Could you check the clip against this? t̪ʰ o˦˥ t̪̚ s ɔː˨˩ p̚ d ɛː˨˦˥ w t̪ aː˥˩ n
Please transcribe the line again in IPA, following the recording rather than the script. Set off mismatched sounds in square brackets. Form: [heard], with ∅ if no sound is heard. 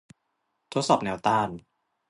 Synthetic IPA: t̪ʰ o˦˥ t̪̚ s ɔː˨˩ p̚ [n] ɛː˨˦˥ w t̪ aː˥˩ n

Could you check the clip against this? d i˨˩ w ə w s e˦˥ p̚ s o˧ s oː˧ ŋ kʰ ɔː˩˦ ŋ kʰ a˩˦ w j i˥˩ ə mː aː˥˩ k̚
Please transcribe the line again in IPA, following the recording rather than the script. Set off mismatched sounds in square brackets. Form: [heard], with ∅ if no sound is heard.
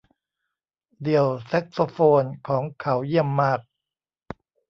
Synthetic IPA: d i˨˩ [∅] ə w s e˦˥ [k̚] s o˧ [f] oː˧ [n] kʰ ɔː˩˦ ŋ kʰ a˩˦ w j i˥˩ ə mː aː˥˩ k̚

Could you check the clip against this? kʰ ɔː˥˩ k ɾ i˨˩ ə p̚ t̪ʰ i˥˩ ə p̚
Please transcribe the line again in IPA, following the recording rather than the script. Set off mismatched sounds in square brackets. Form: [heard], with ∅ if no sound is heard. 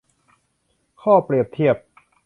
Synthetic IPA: kʰ ɔː˥˩ [p] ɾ i˨˩ ə p̚ t̪ʰ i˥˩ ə p̚

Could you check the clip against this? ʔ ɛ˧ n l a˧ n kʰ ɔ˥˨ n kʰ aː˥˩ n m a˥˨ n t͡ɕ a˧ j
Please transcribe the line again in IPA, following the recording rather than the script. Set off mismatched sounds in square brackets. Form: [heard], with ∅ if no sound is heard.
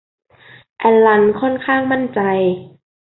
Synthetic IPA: ʔ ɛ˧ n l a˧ n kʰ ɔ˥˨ n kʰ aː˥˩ [ŋ] m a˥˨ n t͡ɕ a˧ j

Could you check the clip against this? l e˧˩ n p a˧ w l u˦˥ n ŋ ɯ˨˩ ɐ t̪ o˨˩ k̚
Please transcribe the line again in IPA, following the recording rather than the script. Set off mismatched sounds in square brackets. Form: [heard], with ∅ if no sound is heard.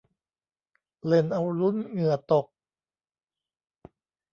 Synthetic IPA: l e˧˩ n [ʔ] a˧ w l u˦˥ n ŋ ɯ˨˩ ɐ t̪ o˨˩ k̚

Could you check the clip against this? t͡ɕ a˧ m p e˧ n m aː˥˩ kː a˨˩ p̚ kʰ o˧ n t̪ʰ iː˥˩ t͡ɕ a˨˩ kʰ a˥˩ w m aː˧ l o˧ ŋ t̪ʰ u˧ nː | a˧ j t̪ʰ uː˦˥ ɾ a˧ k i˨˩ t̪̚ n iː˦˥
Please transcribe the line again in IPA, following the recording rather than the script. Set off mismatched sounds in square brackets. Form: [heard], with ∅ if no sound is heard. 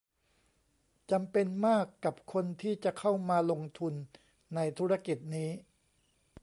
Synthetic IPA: t͡ɕ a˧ m p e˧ n m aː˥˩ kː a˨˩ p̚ kʰ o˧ n t̪ʰ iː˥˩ t͡ɕ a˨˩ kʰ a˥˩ w m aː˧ l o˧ ŋ t̪ʰ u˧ nː | a˧ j t̪ʰ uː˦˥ ɾ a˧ k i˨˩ t̪̚ n iː˦˥

